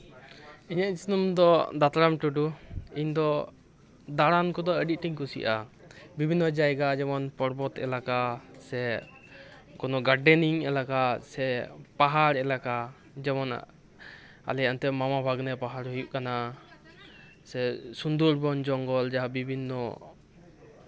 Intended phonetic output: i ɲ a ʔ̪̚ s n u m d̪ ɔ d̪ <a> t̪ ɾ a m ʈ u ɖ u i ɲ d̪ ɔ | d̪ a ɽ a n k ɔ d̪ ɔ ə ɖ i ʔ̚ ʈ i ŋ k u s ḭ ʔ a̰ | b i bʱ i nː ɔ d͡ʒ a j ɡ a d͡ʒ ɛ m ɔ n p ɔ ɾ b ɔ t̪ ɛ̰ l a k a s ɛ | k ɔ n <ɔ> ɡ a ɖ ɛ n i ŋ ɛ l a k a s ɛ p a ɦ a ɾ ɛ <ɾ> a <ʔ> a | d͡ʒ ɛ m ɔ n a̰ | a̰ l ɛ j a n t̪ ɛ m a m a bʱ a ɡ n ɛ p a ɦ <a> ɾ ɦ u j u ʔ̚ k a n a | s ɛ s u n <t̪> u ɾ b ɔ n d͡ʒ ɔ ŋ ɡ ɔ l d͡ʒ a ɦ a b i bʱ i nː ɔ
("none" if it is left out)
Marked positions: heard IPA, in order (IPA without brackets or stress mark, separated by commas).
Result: a, ɔ, l, k, a, d̪